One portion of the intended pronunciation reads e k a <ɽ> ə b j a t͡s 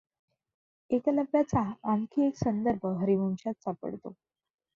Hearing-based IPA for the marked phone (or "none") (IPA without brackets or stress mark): l